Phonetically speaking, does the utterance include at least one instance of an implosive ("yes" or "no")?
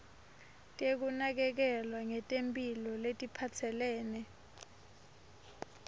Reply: no